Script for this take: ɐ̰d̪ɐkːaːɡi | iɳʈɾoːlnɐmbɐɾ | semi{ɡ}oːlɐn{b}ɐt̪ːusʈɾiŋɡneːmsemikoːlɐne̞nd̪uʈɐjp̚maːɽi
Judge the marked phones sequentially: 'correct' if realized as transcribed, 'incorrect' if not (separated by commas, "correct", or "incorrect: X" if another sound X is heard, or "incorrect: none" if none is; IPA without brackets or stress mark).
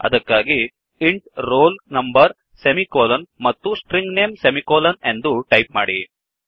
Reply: incorrect: k, incorrect: m